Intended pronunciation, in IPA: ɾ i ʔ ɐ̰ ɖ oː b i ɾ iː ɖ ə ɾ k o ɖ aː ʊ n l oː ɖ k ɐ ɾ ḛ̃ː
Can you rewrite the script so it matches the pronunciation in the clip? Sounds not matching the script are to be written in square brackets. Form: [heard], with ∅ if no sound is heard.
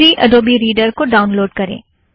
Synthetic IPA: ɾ i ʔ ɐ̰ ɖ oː b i ɾ iː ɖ ə ɾ k o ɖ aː ʊ n l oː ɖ k ɐ ɾ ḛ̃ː